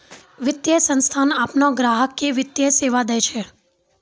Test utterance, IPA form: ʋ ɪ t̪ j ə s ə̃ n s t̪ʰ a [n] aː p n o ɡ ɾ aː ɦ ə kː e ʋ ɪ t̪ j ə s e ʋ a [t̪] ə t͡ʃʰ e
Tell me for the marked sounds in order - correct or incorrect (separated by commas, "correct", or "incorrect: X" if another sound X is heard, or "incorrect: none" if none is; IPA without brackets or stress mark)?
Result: correct, incorrect: d̪